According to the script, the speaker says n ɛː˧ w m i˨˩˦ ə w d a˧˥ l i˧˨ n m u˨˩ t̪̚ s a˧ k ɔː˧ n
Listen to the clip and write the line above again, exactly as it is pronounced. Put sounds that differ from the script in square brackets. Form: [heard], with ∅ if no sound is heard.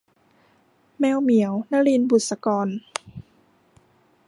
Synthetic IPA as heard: [m] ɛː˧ w m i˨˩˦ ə w [n] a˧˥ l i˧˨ n [b] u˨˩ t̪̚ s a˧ k ɔː˧ n